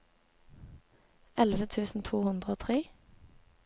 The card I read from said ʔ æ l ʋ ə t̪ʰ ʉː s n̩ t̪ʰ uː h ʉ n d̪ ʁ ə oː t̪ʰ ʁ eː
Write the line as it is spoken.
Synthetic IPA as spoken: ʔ ɛ l ʋ ə t̪ʰ ʉː s n̩ t̪ʰ uː h ʉ n d̪ ʁ ə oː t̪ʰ ʁ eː